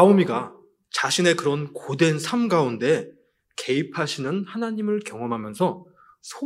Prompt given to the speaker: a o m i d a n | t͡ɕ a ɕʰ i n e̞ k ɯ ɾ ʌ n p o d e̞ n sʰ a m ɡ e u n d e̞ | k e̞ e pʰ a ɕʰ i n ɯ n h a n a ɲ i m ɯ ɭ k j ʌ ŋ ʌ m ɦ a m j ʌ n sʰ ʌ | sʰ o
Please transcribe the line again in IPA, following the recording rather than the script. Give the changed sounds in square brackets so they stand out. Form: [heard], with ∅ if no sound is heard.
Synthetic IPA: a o m i [ɡ] a [∅] | t͡ɕ a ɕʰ i n e̞ k ɯ ɾ ʌ n [k] o d e̞ n sʰ a m ɡ [a] u n d e̞ | k e̞ [i] pʰ a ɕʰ i n ɯ n h a n a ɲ i m ɯ ɭ k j ʌ ŋ ʌ m ɦ a m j ʌ n sʰ ʌ | sʰ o